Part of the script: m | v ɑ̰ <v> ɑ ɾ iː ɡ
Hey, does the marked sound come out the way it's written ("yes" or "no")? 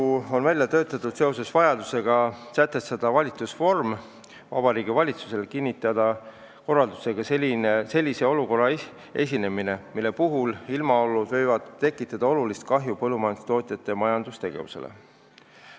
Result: no